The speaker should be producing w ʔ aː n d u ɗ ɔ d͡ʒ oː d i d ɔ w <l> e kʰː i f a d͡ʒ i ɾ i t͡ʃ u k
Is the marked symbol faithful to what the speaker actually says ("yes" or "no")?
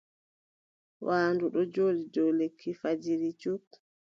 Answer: yes